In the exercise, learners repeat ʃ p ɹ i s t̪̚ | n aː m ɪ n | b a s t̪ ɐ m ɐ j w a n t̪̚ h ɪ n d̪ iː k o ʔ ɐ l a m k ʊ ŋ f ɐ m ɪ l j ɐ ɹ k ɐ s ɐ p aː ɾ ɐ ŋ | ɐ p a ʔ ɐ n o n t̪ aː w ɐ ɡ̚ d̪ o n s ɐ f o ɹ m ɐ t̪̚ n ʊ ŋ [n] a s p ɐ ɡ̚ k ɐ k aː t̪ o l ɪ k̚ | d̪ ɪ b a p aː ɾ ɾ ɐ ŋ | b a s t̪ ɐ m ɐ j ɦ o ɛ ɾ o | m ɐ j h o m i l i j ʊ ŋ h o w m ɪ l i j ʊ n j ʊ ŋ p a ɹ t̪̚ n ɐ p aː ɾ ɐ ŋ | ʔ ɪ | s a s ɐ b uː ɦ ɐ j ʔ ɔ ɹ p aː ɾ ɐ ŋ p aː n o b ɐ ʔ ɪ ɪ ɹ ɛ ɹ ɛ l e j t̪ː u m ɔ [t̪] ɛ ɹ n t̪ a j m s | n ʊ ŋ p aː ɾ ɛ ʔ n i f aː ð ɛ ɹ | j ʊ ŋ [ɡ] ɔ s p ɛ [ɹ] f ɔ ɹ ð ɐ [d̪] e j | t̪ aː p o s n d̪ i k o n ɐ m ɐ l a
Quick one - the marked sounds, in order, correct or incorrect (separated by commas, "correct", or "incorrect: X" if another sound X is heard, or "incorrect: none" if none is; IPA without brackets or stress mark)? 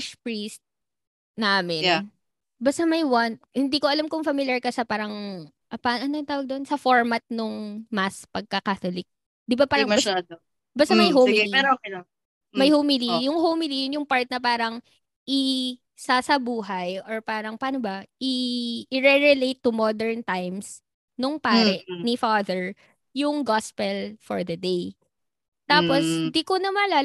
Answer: incorrect: m, incorrect: d̪, correct, incorrect: l, correct